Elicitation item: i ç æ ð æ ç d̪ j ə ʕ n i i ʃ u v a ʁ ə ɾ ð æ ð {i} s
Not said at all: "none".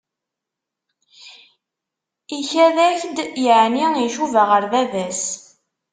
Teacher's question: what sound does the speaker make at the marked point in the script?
æ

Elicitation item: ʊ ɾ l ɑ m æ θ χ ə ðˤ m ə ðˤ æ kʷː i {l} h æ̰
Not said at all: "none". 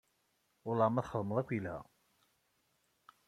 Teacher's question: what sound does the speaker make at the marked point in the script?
l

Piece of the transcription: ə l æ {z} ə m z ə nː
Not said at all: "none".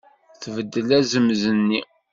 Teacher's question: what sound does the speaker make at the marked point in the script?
z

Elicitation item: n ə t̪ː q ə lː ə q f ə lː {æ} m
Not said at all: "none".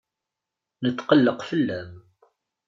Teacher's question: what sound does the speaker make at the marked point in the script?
æ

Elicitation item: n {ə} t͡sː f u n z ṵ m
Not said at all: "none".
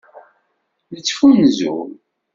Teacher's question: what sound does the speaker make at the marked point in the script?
ə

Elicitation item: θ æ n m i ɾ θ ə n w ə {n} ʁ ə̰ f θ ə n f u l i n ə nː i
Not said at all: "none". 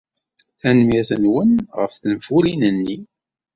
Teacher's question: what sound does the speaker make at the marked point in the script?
n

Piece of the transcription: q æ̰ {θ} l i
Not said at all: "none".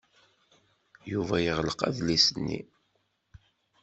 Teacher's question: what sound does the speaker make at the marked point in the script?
ð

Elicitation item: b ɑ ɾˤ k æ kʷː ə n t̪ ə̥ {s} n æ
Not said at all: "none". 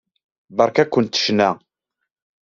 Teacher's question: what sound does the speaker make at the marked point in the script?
ʃ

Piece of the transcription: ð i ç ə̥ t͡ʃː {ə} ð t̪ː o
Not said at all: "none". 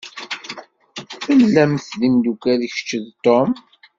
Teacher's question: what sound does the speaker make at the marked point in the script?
ə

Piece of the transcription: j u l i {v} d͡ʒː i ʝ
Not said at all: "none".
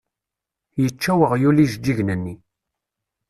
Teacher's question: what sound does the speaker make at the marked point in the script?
ʒ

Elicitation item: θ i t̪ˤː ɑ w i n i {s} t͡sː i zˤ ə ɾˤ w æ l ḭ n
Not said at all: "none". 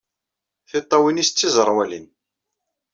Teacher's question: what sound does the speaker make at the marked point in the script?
s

